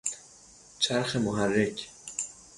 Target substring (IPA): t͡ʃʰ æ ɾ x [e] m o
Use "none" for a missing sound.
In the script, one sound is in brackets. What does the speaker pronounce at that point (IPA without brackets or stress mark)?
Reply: e